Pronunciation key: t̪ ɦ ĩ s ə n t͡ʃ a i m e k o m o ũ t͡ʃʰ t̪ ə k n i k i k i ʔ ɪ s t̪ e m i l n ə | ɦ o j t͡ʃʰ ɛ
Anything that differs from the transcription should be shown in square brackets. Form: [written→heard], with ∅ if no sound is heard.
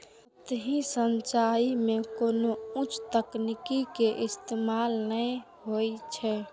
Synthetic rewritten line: t̪ ɦ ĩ s ə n t͡ʃ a i m e k o [m→n] o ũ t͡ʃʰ t̪ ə k n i k i k [i→e] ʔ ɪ s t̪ e m [i→a] l n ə | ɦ o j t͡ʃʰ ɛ